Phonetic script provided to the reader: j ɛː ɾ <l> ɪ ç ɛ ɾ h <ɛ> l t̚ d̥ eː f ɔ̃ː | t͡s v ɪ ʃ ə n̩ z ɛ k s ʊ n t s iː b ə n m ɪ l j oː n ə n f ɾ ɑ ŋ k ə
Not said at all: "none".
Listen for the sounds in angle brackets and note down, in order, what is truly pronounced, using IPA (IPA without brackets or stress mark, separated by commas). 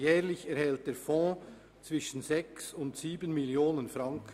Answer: l, ɛ